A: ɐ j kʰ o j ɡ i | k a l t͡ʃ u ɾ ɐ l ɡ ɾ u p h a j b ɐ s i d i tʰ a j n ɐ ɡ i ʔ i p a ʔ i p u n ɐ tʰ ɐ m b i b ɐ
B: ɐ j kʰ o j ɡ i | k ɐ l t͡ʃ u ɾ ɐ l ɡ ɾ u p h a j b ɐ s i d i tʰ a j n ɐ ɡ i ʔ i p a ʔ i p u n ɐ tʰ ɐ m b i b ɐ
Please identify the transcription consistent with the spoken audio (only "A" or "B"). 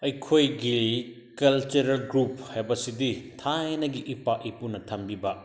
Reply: B